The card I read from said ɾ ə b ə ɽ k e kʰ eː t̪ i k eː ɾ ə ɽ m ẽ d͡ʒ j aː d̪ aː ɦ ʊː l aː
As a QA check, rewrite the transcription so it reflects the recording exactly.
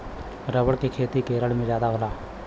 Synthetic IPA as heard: ɾ ə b ə ɽ k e kʰ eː t̪ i k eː ɾ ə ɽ m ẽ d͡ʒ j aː d̪ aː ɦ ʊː l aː